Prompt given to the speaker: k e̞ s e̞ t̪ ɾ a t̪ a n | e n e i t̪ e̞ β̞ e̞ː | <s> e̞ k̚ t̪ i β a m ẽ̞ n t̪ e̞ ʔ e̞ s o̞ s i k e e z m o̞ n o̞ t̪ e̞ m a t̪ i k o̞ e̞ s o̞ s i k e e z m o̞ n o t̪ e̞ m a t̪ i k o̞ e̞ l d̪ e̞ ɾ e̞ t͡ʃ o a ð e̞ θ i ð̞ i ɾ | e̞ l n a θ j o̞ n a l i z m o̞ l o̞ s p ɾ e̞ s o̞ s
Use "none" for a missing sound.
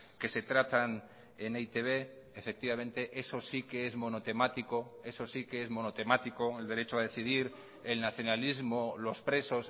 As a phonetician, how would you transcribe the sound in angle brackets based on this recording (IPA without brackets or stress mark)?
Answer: f